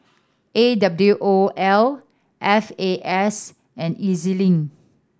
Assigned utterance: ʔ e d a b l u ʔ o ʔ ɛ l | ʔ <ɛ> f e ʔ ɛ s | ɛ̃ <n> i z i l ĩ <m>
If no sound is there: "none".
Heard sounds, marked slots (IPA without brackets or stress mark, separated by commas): ɛ, n, ŋ